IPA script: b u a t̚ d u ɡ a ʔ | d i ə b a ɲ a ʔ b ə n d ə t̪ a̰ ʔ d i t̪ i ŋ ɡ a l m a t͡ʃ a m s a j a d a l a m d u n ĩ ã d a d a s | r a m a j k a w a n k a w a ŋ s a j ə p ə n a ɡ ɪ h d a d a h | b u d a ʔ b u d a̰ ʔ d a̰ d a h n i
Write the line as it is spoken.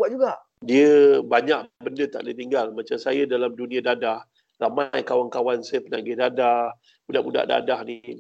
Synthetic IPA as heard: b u a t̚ d͡ʒ u ɡ a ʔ | d i ə b a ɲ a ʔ b ə n d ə t̪ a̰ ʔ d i t̪ i ŋ ɡ a l m a t͡ʃ a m s a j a d a l a m d u n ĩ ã d a d a h | r a m a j k a w a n k a w a n s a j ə p ə n a ɡ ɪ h d a d a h | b u d a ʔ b u d a̰ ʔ d a̰ d a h n i